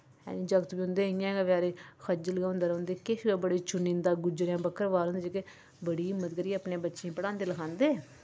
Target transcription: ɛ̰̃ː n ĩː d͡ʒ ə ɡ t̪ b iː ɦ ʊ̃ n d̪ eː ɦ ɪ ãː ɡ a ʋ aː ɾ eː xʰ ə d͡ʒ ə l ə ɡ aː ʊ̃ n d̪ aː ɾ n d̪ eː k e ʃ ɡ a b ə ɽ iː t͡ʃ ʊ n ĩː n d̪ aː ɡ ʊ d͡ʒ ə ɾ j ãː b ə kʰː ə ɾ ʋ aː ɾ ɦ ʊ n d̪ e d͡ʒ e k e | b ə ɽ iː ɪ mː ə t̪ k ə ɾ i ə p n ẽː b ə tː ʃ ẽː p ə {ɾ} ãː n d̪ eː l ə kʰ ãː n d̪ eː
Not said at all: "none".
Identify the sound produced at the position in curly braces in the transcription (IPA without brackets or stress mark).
ɽ